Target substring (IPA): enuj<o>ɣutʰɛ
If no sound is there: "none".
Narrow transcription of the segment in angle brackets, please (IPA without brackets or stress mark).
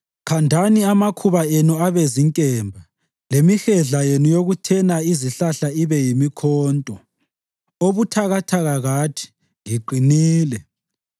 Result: o